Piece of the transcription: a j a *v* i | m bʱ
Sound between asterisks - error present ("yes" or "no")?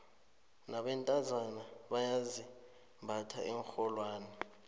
yes